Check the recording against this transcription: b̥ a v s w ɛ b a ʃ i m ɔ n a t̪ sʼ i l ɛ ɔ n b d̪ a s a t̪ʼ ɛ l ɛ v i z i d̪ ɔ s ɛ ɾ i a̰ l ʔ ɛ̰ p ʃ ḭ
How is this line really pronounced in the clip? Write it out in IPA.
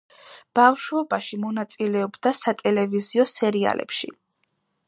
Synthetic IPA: b̥ a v ʃ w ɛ b a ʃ i m ɔ n a t̪ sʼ i l ɛ ɔ b d̪ a s a t̪ʼ ɛ l ɛ v i z i ɔ s ɛ ɾ i a̰ l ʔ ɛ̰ p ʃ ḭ